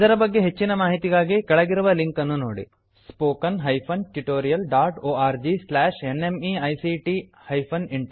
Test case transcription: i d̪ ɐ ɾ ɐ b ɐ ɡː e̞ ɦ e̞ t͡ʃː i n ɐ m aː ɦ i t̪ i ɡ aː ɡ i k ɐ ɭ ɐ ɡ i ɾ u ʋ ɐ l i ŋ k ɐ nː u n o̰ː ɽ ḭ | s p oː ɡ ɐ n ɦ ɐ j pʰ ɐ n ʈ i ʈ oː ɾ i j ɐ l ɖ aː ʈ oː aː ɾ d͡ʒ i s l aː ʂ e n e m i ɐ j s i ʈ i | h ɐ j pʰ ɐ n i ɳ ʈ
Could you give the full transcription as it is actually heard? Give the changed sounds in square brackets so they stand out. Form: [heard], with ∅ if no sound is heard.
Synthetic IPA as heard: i d̪ ɐ ɾ ɐ b ɐ ɡː e̞ ɦ e̞ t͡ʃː i n ɐ m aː ɦ i t̪ i ɡ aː ɡ i k ɐ ɭ ɐ ɡ i ɾ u ʋ ɐ l i ŋ k ɐ nː u n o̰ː ɽ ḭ | s p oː [k] ɐ n ɦ ɐ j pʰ ɐ n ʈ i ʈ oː ɾ i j ɐ l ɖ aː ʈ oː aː ɾ d͡ʒ i s l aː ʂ e n e m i ɐ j s i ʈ i | h ɐ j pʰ ɐ n i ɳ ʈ